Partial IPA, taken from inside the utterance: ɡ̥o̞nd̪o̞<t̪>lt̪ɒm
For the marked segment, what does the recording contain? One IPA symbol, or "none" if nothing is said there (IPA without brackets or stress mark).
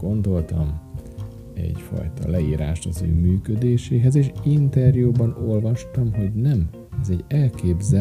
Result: none